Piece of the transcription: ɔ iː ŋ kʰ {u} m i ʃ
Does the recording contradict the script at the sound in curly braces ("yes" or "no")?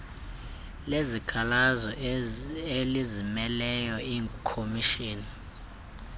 yes